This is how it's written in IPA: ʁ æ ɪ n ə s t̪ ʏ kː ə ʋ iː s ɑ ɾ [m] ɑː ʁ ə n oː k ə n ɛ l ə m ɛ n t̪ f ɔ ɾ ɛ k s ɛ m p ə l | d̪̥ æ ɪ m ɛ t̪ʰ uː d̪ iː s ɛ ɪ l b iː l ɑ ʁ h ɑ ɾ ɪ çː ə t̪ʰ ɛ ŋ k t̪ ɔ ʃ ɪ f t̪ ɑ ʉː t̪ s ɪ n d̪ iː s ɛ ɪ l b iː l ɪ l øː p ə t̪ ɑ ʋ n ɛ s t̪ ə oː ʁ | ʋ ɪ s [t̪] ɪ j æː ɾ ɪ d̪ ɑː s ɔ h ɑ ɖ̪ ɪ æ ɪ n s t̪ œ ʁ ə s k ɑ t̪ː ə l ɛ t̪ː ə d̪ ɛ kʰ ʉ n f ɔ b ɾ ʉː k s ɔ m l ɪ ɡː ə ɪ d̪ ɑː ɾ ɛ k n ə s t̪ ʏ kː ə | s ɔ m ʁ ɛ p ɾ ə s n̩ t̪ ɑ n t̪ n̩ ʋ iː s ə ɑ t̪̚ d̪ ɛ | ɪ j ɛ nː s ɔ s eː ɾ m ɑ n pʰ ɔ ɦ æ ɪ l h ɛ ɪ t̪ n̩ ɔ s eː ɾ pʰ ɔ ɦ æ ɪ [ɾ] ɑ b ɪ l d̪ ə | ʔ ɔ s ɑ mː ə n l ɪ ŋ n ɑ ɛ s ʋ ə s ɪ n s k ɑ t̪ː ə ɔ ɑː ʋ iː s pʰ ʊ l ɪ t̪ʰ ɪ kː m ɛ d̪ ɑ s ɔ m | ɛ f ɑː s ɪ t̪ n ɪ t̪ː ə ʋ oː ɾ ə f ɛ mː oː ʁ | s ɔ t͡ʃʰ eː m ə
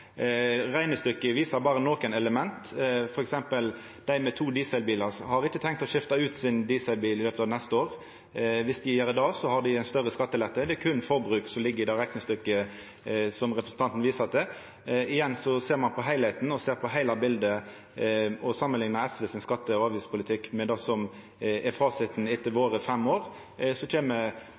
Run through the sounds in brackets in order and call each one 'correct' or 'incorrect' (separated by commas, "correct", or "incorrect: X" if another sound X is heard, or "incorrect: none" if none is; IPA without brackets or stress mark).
incorrect: b, incorrect: d̪, incorrect: l